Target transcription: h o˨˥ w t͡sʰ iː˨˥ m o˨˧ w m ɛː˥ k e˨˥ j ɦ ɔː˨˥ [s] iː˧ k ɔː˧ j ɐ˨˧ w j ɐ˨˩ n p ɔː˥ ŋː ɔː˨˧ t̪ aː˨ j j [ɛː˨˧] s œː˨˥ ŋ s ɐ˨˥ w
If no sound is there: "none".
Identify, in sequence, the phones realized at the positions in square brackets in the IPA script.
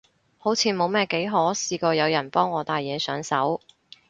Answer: s, ɛː˨˧

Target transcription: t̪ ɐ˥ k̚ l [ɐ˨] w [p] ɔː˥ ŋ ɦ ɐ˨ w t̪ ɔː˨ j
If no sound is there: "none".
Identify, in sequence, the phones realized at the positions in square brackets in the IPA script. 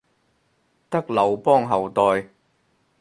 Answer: ɐ˨, p

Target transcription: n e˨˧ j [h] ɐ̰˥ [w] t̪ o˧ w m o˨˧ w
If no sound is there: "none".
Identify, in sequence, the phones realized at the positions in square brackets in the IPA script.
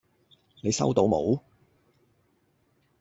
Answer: s, w

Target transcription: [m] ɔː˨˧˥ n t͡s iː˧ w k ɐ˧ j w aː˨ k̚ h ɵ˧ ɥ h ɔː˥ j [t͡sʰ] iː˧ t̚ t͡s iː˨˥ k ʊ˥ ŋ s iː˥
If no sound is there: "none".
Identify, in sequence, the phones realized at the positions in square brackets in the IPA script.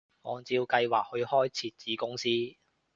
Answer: ŋ, t͡sʰ

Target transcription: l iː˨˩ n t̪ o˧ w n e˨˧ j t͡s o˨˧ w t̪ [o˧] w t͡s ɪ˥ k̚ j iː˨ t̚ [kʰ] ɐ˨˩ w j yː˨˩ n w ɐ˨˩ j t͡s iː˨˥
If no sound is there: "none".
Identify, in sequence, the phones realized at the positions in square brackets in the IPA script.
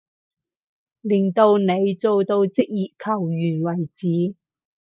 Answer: o˧, kʰ

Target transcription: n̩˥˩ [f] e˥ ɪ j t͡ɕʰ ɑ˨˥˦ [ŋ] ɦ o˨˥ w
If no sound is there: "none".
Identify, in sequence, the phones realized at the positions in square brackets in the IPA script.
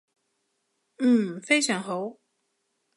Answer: f, ŋ

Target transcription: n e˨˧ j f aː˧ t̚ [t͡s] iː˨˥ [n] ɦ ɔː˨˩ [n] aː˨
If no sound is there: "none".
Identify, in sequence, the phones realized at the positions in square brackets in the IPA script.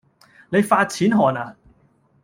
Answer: t͡sʰ, n, n

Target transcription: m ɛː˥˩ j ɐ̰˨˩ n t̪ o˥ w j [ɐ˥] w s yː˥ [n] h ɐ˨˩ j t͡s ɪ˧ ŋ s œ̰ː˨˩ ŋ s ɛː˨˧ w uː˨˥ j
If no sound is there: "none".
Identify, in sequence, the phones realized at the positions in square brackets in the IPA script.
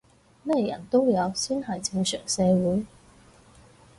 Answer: ɐ˨˧, n

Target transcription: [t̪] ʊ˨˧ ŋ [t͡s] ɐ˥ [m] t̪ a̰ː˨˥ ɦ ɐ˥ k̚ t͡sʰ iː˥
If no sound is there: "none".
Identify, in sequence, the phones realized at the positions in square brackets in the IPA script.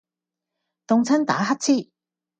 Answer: t̪, t͡sʰ, n

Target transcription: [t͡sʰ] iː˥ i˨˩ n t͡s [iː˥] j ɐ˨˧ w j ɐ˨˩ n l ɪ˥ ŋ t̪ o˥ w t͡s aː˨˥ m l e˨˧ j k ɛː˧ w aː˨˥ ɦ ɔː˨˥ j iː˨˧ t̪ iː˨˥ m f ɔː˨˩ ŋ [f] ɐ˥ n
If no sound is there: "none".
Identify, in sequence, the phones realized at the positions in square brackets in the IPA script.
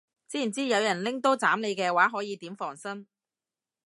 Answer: t͡s, iː˥, s

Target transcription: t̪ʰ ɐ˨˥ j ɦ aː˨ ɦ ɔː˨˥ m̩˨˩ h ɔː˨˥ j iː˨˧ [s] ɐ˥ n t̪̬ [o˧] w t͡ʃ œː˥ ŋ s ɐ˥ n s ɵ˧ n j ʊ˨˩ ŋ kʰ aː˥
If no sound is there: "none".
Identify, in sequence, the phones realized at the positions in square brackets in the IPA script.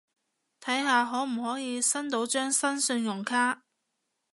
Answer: s, o˨˥

